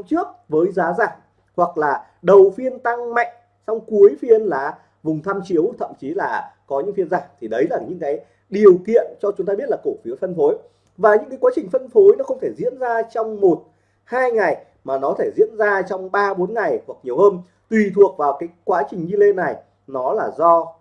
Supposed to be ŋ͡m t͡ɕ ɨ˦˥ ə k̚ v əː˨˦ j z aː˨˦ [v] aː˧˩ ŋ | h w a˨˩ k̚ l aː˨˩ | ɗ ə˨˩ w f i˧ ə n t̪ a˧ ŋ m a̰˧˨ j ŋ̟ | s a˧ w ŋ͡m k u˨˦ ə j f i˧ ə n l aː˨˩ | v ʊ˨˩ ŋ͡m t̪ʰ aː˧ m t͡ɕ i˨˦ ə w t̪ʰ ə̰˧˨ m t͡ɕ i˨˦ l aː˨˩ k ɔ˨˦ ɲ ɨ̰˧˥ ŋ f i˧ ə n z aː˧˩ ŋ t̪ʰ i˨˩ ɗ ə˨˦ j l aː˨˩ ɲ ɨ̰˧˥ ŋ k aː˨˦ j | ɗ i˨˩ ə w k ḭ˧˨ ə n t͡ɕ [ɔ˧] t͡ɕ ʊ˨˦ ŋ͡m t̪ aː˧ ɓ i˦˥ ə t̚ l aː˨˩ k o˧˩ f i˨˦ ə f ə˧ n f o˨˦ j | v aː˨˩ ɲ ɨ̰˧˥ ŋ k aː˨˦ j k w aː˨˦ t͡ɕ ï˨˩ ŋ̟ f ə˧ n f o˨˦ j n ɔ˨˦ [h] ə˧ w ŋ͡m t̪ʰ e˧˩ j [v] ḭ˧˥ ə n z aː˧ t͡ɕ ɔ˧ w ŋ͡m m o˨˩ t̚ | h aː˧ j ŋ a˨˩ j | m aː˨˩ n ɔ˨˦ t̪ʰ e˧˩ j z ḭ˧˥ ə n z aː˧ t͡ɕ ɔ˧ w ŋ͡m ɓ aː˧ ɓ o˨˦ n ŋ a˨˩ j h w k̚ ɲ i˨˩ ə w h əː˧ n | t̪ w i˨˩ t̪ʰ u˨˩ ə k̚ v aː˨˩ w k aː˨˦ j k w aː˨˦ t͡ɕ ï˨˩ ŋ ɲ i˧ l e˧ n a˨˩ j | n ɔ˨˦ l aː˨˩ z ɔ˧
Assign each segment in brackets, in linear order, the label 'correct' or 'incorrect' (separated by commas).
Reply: incorrect, correct, incorrect, incorrect